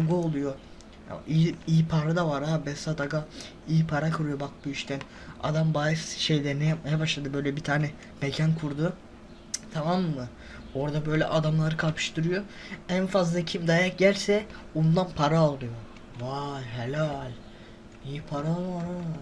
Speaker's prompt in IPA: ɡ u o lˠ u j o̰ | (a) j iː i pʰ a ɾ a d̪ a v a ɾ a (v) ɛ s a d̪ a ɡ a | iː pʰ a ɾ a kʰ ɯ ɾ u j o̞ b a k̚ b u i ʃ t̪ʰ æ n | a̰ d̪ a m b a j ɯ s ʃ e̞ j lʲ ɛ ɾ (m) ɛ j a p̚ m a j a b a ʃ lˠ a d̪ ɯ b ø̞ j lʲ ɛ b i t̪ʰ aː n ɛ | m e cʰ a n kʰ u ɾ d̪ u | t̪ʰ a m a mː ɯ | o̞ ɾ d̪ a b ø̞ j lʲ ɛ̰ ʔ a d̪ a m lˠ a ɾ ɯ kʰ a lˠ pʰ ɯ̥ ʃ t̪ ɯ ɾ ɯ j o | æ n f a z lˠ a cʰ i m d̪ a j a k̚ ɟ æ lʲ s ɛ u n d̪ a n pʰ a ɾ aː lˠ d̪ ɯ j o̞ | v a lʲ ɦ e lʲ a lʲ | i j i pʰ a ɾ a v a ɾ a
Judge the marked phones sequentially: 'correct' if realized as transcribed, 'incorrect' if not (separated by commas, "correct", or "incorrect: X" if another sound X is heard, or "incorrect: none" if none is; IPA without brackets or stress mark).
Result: incorrect: i, incorrect: b, incorrect: n